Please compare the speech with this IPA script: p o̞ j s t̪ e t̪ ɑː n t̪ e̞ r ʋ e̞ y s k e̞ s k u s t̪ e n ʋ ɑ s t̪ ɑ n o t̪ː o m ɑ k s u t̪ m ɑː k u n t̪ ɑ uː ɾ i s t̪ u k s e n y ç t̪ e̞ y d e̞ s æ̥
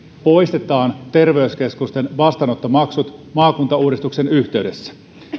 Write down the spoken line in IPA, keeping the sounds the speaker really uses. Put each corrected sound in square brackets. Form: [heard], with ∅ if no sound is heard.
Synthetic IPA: p o̞ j s t̪ e t̪ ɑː n t̪ e̞ r ʋ e̞ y s k e̞ s k u s t̪ e n ʋ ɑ s t̪ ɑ n o t̪ː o m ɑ k s u t̪ m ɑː k u n t̪ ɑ uː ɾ i s t̪ u k s e n y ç t̪ e̞ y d e̞ [sː] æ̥